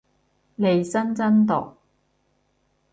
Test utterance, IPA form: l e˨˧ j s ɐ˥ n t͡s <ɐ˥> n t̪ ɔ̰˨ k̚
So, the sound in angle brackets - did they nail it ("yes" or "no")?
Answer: yes